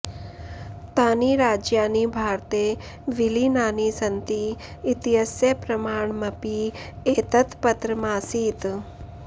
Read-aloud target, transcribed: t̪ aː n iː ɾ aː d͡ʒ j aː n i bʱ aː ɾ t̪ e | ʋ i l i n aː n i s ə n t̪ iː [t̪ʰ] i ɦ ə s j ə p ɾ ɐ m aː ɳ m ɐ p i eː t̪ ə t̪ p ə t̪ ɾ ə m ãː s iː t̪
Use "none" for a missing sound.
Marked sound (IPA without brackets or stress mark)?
t̪